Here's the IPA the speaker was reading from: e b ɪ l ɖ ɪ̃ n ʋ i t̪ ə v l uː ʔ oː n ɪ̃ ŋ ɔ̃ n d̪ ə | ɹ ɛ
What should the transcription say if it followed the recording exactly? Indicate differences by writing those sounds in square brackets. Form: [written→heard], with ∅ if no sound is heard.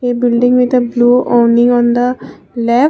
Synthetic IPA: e b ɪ l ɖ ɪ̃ [n→ŋ] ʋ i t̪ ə [v→b] l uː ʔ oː n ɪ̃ ŋ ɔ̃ n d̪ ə | [ɹ→l] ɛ